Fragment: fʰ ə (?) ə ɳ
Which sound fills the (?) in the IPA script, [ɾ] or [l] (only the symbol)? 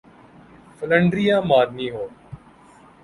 l